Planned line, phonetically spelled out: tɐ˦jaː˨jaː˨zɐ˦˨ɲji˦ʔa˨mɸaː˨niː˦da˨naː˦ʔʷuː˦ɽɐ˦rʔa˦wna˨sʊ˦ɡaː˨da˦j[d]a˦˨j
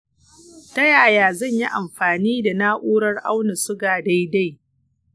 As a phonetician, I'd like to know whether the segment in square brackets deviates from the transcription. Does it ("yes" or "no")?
no